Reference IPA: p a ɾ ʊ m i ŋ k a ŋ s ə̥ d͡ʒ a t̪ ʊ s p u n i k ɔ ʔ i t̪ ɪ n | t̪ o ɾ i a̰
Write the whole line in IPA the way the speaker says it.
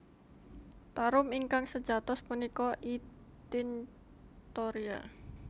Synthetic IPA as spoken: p a ɾ ʊ m i ŋ k a ŋ s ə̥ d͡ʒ a t̪ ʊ s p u n i k ɔ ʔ i t̪ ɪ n | t̪ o ɾ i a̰